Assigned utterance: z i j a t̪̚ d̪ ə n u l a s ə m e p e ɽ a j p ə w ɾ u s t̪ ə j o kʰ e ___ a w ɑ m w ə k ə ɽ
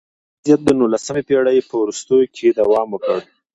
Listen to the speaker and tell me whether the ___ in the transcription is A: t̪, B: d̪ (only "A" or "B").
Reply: B